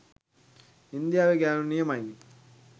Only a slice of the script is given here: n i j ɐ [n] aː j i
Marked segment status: incorrect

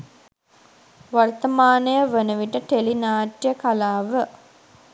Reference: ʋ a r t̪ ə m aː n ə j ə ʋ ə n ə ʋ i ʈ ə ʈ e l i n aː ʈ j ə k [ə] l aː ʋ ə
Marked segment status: incorrect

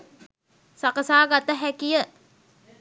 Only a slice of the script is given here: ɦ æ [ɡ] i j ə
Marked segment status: incorrect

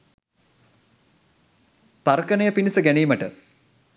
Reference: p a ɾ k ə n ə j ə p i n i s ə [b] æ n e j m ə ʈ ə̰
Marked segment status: incorrect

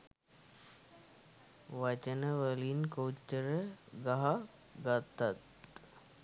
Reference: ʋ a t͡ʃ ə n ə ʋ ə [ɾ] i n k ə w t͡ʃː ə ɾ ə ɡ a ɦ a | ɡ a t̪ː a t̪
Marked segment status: incorrect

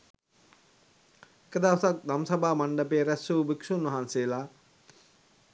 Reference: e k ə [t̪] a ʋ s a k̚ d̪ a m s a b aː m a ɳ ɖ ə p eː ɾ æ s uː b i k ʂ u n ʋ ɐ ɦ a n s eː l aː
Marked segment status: incorrect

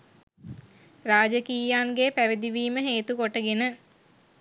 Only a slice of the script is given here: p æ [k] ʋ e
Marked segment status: incorrect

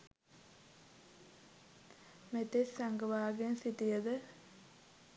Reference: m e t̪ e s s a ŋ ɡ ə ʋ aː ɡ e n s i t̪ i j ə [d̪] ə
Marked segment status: correct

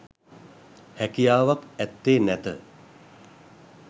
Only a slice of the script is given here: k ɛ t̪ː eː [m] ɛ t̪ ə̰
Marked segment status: incorrect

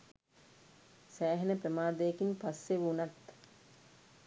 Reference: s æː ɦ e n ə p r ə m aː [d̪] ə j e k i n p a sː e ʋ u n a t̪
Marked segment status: correct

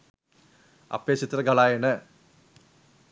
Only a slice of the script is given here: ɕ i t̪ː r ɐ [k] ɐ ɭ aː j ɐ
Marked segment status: incorrect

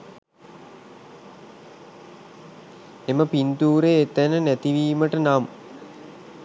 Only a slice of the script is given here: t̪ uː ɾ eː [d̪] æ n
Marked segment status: incorrect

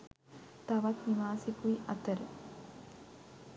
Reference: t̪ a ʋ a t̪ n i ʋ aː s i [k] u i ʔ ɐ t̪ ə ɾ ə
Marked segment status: correct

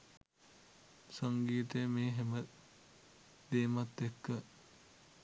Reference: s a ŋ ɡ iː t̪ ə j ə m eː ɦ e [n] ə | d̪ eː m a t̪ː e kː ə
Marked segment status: incorrect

